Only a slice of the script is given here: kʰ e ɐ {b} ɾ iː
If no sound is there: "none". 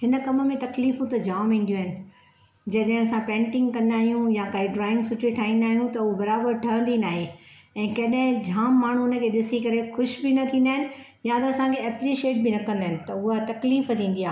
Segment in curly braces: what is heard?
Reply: p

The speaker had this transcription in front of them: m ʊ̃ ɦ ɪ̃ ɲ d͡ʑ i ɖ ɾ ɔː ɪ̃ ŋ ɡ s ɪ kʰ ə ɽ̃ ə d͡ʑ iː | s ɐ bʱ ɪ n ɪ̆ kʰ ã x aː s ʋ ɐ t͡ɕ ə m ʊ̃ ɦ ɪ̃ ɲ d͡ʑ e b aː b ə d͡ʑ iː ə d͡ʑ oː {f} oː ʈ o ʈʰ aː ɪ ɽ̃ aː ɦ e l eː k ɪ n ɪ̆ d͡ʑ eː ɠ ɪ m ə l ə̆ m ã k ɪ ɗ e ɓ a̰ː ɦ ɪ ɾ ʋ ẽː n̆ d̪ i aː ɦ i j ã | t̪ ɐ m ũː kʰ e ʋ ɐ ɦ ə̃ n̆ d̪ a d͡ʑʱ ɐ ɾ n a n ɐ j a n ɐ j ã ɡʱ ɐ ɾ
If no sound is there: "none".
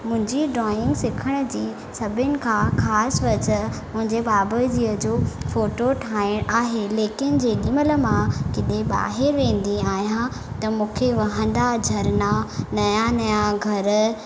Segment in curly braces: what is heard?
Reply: f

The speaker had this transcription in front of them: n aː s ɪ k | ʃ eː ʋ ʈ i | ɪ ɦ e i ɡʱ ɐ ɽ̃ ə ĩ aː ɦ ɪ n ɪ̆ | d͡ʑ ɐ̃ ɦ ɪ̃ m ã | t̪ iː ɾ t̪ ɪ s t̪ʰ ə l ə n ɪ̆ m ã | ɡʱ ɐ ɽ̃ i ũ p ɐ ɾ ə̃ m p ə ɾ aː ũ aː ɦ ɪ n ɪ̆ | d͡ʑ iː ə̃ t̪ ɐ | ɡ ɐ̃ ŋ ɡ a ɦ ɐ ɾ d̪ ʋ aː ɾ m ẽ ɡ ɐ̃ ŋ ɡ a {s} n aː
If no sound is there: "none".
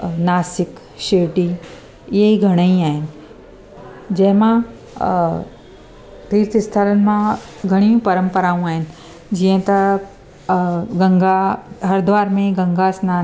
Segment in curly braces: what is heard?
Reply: s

